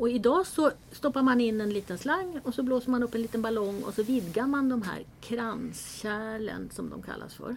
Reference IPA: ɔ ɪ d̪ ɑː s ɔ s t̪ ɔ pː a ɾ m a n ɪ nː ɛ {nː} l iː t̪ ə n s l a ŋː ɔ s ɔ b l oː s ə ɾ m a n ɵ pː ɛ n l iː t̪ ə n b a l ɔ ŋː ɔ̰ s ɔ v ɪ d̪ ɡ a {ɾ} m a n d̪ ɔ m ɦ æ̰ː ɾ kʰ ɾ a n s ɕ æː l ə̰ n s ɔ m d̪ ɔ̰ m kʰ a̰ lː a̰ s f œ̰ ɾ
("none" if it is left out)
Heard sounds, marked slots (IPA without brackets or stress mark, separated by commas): n, ɾ